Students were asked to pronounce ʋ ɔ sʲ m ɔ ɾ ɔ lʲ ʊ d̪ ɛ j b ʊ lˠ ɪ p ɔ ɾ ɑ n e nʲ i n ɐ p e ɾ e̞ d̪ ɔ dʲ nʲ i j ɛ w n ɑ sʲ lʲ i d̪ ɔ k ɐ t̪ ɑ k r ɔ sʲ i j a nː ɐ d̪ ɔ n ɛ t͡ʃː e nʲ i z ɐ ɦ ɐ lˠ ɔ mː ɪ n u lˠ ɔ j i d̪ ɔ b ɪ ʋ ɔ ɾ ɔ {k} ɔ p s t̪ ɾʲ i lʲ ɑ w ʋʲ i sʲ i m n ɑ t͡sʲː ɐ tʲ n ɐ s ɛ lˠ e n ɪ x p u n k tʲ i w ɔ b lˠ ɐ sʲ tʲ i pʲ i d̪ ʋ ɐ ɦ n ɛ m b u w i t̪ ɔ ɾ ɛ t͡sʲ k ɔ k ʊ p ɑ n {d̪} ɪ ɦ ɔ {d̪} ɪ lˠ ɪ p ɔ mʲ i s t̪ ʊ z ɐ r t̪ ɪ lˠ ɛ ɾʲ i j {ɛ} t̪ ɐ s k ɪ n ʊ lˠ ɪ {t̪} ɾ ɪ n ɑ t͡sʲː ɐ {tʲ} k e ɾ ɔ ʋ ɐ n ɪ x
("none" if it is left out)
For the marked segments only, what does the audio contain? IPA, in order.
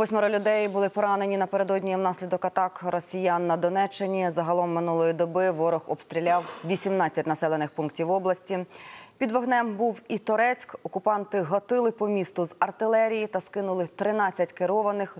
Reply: x, t̪, t̪, i, t̪, tʲ

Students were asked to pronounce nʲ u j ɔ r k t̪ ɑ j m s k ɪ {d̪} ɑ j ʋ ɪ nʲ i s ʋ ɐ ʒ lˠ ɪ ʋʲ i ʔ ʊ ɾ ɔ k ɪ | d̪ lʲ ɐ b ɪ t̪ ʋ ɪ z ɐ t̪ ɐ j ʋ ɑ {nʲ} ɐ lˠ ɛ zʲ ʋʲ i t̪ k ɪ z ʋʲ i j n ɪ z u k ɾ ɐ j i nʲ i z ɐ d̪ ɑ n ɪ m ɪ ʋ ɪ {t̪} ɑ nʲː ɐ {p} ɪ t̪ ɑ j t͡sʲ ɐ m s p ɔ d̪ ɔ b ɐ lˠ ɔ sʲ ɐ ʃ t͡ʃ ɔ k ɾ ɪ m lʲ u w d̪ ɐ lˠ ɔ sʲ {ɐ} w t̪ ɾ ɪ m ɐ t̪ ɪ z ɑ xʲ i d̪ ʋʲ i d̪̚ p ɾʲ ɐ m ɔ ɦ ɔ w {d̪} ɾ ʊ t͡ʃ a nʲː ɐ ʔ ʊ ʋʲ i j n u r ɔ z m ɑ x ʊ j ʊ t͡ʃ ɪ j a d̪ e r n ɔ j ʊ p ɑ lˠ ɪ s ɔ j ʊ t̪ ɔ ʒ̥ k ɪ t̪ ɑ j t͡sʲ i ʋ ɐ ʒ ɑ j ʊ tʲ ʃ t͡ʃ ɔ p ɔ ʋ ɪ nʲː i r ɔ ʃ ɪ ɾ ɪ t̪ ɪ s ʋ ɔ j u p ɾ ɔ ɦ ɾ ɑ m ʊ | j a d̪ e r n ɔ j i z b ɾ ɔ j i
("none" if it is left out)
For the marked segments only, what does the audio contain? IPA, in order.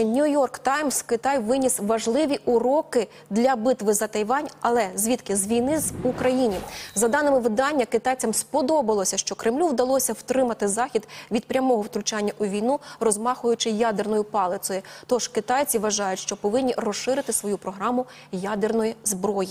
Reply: t̪, nʲ, d̪, k, ɐ, t̪

